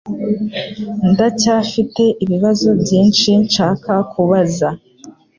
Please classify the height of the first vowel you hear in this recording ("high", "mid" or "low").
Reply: low